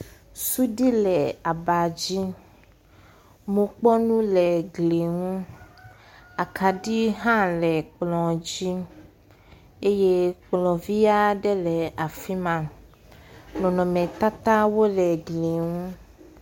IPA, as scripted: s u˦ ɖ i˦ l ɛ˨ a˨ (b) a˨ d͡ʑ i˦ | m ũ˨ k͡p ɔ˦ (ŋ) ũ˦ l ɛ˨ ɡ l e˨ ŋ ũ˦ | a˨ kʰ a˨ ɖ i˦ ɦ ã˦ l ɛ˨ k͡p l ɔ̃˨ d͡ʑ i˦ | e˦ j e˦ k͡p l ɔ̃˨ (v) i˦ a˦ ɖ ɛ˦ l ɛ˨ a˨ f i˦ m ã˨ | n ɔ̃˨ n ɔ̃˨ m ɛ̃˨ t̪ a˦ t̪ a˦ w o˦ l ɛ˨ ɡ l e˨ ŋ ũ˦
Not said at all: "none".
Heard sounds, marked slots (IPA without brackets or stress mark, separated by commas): b, n, v